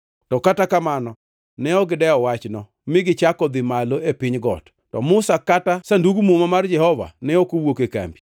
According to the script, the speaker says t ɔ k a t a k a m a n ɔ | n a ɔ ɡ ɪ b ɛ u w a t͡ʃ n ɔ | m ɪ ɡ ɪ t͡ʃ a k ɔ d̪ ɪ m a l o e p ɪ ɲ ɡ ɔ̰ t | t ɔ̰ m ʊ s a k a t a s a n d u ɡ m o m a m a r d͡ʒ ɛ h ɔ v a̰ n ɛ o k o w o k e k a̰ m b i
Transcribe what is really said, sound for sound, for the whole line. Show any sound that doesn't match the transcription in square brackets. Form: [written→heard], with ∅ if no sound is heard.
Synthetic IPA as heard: t ɔ k a t a k a m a n ɔ | n [a→ɛ] ɔ ɡ ɪ [b→d] ɛ [u→ɔ] w a t͡ʃ n ɔ | m ɪ ɡ ɪ t͡ʃ a k ɔ d̪ ɪ m a l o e p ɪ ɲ ɡ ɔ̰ t | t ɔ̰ m ʊ s a k a t a s a n d u ɡ m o m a m a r d͡ʒ ɛ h ɔ v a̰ n ɛ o k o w o k e k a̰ m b i